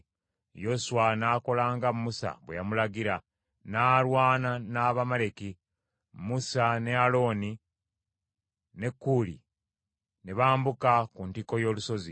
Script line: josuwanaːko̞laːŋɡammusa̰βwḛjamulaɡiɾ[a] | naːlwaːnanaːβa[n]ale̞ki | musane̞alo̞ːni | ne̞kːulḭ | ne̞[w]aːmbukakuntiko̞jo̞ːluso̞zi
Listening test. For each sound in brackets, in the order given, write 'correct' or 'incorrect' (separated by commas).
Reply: correct, incorrect, incorrect